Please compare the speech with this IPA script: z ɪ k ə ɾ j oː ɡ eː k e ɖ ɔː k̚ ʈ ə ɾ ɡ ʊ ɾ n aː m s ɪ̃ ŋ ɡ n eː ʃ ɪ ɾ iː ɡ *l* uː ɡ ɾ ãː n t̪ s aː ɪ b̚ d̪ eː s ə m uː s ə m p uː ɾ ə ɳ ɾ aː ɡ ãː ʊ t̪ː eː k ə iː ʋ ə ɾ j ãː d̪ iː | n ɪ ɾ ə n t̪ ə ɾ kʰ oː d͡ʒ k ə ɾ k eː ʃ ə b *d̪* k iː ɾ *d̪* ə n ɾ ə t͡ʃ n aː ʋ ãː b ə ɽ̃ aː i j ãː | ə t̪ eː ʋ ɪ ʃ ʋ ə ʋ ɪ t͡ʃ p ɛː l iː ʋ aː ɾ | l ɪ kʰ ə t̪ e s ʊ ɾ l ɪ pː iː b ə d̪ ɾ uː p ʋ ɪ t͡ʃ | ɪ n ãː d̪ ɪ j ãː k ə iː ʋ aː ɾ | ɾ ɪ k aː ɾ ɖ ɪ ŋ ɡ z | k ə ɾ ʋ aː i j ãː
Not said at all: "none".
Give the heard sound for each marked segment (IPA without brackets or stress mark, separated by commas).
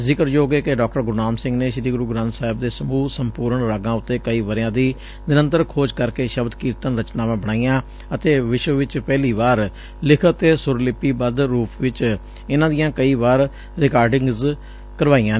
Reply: ɾ, d̪, t̪